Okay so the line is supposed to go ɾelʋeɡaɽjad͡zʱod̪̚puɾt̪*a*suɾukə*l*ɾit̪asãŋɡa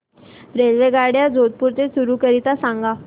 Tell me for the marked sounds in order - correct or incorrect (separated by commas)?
incorrect, incorrect